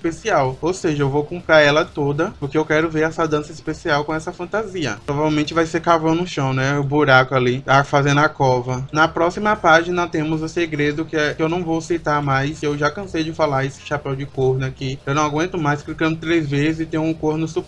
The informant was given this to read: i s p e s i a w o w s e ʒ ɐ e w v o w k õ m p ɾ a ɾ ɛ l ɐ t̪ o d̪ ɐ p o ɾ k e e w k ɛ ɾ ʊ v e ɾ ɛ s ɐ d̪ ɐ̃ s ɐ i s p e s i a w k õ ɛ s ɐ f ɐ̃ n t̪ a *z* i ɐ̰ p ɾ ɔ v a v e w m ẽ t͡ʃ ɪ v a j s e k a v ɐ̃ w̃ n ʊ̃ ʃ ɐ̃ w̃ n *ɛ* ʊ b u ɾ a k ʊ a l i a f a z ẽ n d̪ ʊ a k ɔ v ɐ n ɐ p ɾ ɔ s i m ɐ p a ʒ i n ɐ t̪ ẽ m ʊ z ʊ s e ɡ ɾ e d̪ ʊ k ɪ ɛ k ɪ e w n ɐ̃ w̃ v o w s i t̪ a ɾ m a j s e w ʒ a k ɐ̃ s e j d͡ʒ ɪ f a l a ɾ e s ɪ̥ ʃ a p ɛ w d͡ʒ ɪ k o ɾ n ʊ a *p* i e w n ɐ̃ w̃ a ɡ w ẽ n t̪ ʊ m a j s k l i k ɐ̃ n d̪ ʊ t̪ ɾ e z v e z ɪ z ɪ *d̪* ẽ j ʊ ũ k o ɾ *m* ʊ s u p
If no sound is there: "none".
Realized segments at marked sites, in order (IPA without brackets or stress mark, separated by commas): z, ɛ, k, t̪, n